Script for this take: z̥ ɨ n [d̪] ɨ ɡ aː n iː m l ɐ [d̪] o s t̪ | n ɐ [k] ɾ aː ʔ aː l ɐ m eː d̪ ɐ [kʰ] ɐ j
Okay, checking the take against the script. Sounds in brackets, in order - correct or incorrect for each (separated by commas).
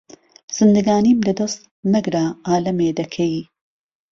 correct, correct, incorrect, correct